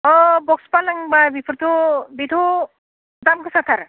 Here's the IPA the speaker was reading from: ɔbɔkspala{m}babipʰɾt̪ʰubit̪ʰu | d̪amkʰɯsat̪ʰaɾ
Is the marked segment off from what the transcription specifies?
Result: yes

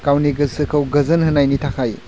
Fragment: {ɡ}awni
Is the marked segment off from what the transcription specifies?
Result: yes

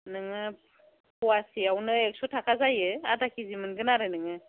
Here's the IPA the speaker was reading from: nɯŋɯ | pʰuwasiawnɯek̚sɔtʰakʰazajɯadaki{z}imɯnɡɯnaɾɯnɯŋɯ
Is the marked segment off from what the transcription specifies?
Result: no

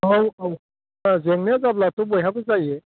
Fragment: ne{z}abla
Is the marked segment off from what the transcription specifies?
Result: no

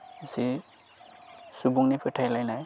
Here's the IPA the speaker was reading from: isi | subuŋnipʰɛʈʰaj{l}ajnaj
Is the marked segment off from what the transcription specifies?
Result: no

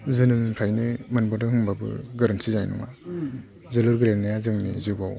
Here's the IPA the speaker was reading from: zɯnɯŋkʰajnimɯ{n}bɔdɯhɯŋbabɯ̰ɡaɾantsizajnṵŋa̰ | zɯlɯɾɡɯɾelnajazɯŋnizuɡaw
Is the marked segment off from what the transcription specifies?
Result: no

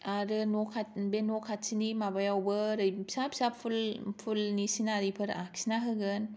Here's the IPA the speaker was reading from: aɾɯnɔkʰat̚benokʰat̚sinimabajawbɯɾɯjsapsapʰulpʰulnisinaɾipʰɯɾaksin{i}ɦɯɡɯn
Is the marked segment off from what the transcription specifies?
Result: yes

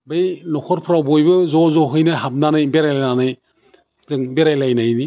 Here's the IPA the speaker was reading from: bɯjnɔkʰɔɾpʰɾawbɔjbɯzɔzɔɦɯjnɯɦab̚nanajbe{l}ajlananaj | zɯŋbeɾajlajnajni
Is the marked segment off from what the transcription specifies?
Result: yes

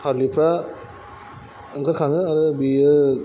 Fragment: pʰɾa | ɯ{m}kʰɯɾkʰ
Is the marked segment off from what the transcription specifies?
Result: yes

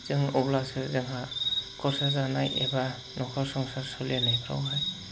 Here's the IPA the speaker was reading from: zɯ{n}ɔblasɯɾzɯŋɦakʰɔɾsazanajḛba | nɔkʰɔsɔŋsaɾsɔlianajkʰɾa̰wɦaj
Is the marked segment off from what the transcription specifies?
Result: yes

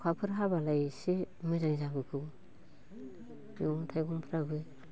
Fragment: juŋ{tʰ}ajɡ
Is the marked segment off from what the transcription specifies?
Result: no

